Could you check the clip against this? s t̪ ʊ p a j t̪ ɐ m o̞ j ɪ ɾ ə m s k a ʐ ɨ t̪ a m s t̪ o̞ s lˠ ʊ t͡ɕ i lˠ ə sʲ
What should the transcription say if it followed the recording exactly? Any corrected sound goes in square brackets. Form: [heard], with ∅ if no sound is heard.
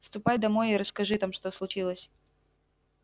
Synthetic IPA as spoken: s t̪ ʊ p a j [d̪] ɐ m o̞ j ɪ ɾ ə [∅] s k [ɐ] ʐ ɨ t̪ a m [ʂ] t̪ o̞ s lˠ ʊ t͡ɕ i lˠ ə sʲ